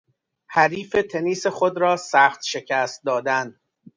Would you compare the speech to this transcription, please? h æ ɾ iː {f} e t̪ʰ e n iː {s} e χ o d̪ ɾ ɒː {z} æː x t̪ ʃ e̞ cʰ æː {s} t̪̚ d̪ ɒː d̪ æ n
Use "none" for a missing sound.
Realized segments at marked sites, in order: f, s, s, s

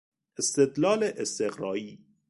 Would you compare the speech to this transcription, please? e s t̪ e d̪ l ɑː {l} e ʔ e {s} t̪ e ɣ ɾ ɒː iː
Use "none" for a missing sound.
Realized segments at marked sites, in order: l, s

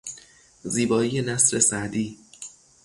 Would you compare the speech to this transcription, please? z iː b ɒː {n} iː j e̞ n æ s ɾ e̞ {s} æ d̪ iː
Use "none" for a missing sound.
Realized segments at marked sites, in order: none, s

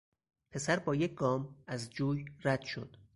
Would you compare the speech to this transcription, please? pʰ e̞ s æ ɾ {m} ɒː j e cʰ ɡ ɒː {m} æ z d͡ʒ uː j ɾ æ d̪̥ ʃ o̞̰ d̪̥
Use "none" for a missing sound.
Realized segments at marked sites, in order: b, m

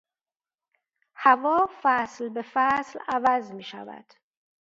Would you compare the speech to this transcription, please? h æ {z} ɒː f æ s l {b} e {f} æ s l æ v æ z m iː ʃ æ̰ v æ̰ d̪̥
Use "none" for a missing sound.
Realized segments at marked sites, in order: v, b, f

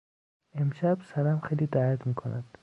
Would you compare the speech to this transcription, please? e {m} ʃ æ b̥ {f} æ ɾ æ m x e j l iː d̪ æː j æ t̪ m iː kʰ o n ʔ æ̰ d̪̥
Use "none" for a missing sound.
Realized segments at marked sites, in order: m, s

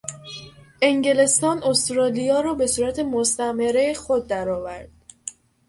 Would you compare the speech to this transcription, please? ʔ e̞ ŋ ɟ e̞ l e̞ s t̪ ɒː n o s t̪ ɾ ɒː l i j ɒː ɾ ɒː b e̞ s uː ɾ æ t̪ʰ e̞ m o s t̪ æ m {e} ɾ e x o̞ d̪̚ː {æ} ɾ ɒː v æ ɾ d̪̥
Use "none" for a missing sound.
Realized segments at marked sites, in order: e, æ

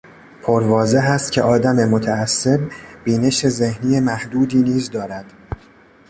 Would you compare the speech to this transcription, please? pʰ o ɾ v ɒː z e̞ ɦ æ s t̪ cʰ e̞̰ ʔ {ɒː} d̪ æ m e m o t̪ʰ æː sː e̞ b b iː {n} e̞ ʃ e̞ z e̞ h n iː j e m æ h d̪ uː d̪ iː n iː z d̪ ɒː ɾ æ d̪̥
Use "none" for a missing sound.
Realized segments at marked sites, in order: ɒː, n

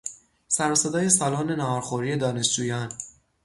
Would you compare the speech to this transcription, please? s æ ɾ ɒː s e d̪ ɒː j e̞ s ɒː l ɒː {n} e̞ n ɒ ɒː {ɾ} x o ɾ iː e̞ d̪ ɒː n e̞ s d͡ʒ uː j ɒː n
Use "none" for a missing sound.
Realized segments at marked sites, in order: n, ɾ

